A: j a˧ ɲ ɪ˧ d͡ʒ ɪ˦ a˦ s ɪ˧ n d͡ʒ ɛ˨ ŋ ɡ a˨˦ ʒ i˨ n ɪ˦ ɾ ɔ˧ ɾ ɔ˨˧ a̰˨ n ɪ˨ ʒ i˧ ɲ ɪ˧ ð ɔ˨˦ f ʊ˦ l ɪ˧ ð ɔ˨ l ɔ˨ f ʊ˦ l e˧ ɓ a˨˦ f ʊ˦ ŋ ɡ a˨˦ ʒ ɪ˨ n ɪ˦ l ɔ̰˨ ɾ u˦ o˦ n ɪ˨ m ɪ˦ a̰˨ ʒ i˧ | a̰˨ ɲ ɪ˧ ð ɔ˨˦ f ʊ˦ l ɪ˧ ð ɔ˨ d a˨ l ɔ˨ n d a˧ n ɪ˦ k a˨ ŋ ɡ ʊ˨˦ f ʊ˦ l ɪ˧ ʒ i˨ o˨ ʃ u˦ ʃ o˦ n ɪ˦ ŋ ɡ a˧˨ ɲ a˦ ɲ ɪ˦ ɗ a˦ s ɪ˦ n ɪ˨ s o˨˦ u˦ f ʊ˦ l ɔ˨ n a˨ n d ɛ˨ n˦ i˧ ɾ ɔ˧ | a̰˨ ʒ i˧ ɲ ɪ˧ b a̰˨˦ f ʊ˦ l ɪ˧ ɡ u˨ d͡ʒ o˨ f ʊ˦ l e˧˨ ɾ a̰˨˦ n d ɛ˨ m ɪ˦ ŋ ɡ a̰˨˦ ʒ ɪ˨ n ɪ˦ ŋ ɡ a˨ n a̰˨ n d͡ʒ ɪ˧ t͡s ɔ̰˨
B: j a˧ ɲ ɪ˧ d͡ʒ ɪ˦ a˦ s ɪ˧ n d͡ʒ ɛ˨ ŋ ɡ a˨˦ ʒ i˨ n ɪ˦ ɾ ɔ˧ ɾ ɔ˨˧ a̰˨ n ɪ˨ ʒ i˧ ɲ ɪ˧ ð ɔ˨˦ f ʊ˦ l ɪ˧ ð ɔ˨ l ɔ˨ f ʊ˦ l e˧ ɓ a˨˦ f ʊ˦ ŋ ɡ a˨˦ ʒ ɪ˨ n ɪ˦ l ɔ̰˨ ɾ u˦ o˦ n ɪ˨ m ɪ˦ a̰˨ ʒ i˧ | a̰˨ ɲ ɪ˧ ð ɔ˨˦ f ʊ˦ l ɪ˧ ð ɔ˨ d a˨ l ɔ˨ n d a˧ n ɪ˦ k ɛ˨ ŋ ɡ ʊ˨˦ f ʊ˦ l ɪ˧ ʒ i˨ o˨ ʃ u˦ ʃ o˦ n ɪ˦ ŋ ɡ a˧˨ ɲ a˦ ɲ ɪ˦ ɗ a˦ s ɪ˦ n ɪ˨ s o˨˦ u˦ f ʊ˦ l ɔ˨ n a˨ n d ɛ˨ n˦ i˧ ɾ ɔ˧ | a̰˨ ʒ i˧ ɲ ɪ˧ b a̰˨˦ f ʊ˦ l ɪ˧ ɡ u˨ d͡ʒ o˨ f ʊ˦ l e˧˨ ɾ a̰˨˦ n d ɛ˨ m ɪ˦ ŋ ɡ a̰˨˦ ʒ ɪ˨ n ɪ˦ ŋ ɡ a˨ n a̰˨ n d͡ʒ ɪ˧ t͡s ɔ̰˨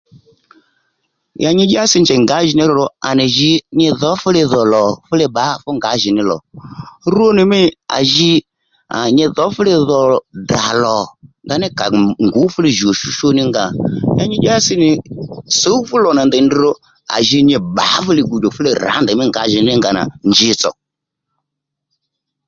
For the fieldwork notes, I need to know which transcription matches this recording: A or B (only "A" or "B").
A